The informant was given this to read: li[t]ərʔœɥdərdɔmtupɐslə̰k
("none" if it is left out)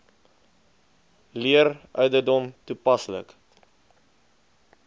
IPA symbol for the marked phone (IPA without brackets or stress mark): none